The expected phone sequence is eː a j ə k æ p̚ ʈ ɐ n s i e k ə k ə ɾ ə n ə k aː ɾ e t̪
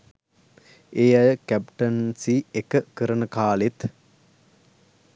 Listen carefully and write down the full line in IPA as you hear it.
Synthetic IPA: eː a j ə k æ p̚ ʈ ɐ n s i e k ə k ə ɾ ə n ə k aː l e t̪